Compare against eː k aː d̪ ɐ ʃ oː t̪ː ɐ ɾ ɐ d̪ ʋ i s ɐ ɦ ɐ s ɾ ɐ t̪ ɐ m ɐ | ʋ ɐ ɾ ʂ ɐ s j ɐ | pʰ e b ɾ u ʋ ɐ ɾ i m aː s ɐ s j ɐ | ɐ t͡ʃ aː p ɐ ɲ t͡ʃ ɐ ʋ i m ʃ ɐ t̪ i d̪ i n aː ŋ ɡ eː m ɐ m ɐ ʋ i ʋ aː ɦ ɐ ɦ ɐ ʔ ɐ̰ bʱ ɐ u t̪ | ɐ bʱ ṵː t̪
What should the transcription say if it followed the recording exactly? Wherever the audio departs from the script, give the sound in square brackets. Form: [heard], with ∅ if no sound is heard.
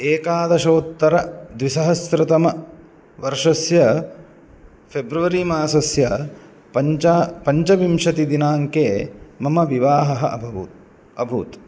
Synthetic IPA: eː k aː d̪ ɐ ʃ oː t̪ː ɐ ɾ ɐ d̪ ʋ i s ɐ ɦ ɐ s ɾ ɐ t̪ ɐ m ɐ | ʋ ɐ ɾ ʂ ɐ s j ɐ | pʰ e b ɾ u ʋ ɐ ɾ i m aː s ɐ s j ɐ | ɐ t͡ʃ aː p ɐ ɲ t͡ʃ ɐ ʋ i m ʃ ɐ t̪ i d̪ i n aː ŋ [k] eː m ɐ m ɐ ʋ i ʋ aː ɦ ɐ ɦ ɐ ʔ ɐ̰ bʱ ɐ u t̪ | ɐ bʱ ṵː t̪